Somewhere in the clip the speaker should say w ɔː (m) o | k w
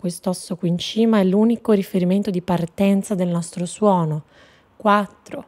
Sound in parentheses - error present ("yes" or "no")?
yes